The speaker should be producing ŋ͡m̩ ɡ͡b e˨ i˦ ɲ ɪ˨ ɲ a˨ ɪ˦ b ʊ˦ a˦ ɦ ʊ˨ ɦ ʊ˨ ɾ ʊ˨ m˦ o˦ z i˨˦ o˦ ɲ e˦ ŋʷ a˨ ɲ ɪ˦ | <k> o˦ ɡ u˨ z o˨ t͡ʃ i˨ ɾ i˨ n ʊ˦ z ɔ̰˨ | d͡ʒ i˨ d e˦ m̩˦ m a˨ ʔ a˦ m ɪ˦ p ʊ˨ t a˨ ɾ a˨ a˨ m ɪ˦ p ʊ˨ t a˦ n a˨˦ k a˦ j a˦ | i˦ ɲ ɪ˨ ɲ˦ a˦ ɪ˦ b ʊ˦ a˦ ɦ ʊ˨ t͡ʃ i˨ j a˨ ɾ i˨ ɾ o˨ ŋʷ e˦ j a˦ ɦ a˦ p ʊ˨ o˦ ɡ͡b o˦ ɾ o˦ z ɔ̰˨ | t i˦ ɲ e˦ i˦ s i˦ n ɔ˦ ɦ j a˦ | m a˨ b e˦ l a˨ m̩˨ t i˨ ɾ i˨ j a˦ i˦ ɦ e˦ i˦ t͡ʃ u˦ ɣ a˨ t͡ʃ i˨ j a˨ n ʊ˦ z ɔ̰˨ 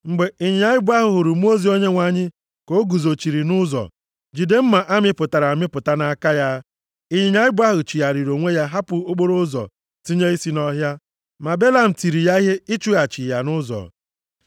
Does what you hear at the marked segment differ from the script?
no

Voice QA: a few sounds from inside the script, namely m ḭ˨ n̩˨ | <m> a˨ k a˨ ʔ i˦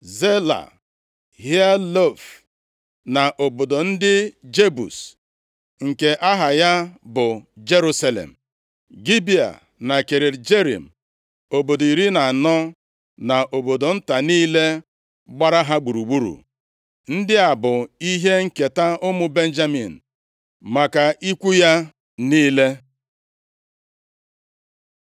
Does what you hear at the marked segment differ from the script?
no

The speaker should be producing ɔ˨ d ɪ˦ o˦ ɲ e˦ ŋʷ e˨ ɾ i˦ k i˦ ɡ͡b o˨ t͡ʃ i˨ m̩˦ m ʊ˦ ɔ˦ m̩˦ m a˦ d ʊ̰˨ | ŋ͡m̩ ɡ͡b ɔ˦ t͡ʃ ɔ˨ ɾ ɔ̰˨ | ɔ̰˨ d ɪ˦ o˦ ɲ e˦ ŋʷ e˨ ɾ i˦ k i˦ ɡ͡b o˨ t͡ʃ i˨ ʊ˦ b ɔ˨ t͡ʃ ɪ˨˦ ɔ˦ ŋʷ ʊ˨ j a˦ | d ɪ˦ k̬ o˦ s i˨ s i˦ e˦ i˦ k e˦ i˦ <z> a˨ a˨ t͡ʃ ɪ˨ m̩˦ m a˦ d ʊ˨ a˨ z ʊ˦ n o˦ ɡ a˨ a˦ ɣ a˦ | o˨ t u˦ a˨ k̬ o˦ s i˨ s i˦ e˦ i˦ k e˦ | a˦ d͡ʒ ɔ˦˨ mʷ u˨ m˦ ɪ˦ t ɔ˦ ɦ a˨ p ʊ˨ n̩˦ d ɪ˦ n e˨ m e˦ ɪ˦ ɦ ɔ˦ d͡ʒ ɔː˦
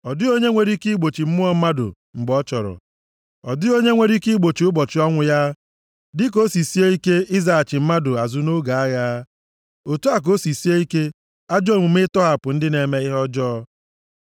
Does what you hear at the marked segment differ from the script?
no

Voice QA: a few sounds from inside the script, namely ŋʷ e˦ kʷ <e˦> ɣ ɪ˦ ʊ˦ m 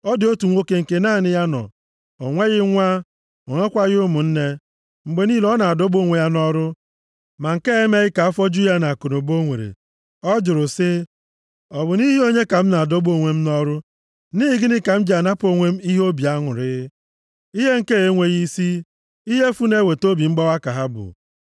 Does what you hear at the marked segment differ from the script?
yes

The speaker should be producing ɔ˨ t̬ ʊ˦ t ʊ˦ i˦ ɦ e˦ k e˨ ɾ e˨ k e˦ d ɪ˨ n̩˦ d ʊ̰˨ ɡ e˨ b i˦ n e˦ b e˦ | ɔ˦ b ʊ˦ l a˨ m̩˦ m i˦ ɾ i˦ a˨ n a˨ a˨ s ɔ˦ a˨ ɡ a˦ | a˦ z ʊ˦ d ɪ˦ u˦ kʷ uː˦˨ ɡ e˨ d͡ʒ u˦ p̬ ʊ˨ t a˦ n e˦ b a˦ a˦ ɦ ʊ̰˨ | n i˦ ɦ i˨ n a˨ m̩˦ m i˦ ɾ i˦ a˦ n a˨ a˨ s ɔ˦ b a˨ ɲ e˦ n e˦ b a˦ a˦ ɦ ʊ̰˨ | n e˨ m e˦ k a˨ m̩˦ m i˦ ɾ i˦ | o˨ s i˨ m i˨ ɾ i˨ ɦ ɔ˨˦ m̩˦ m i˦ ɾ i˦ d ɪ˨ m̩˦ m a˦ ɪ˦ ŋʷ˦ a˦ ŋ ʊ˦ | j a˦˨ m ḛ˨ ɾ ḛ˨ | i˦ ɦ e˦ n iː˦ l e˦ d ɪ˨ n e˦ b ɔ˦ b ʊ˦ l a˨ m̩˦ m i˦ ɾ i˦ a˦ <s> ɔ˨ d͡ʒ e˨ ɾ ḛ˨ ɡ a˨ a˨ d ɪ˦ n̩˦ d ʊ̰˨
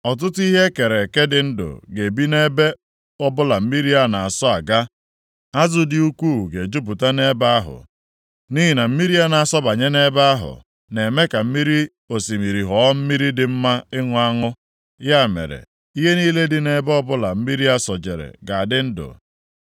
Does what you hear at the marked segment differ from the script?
no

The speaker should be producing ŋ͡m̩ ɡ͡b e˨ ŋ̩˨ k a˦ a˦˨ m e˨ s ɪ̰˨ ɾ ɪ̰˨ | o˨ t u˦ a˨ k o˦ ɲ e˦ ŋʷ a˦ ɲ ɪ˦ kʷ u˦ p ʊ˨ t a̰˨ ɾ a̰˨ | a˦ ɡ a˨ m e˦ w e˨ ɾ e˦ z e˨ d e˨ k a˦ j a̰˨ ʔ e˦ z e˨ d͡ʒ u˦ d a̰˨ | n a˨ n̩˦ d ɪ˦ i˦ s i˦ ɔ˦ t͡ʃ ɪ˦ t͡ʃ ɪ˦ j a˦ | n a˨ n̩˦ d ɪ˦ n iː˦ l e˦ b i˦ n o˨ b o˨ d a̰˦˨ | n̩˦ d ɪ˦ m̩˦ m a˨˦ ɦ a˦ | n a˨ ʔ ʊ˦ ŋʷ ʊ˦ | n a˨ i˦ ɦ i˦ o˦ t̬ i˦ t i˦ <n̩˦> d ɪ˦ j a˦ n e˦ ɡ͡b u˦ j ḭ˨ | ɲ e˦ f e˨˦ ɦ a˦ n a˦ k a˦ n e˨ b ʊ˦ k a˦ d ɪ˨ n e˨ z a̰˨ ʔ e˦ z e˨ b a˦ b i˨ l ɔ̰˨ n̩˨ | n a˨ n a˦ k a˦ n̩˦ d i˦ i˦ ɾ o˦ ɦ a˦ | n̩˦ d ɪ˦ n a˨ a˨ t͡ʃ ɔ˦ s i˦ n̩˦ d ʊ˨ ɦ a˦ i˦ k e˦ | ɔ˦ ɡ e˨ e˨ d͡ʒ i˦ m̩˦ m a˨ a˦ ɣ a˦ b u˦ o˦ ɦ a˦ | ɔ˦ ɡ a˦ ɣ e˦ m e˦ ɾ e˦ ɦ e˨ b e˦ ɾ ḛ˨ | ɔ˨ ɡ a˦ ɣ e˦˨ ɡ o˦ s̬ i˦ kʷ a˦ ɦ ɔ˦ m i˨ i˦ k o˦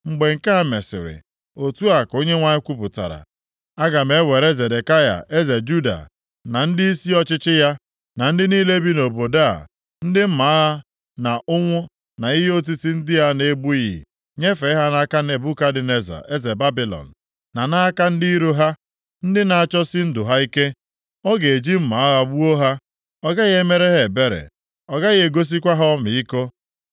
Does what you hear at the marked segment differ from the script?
no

